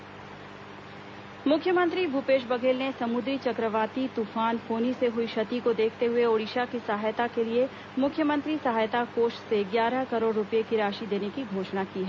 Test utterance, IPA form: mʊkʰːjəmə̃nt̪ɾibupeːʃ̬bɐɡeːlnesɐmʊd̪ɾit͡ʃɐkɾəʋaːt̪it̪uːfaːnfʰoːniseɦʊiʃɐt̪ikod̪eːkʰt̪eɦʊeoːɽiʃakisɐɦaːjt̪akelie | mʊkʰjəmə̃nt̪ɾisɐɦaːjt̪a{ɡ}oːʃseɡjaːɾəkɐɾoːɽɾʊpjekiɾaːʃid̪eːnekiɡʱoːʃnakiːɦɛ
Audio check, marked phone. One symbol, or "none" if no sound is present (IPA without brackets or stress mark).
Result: k